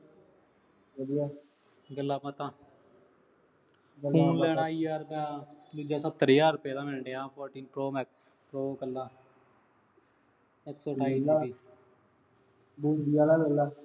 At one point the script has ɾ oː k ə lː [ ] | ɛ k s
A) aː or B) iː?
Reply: A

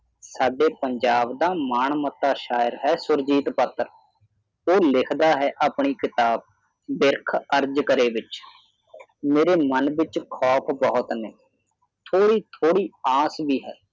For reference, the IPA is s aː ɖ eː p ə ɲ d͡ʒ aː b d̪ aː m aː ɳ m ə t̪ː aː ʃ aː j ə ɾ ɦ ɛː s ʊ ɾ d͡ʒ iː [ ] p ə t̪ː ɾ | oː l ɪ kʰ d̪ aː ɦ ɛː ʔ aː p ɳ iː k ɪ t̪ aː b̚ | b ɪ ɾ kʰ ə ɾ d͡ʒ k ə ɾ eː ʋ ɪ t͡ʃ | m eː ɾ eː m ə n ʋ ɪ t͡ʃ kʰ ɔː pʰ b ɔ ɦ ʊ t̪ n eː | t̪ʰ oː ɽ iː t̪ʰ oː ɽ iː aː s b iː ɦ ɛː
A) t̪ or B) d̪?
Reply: A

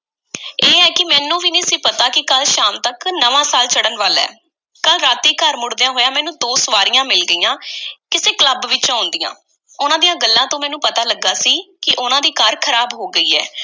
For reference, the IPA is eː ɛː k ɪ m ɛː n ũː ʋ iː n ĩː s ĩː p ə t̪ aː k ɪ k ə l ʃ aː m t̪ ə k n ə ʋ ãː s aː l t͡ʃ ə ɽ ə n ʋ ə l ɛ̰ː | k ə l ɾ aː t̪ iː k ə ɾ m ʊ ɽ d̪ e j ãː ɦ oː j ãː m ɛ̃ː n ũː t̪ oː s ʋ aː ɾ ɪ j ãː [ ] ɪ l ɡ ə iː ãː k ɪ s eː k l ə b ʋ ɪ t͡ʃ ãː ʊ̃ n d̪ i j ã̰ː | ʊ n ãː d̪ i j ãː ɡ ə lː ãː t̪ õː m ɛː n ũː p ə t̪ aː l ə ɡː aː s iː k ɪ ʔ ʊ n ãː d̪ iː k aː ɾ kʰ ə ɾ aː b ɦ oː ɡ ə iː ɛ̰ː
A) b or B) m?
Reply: B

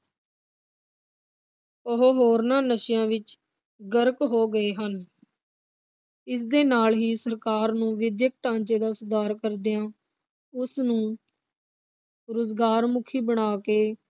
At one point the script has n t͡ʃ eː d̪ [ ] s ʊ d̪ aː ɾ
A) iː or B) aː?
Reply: B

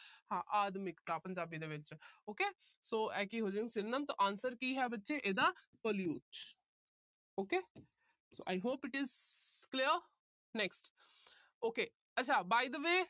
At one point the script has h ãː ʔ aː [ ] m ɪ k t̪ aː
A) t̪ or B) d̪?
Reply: B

